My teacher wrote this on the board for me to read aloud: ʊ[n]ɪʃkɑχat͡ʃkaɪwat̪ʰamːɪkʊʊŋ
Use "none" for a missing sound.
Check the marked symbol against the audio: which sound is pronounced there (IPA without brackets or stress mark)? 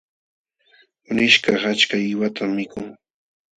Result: n